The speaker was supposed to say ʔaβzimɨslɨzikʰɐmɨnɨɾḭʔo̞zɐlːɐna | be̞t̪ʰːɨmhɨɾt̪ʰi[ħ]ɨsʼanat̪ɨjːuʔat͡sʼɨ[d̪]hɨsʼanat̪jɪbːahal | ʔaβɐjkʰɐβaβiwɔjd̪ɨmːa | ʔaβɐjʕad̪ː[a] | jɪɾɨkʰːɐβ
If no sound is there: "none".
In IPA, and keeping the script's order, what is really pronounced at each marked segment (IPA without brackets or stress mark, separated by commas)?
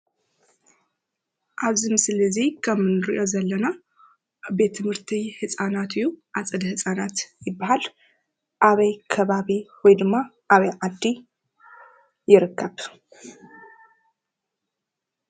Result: h, d̪, i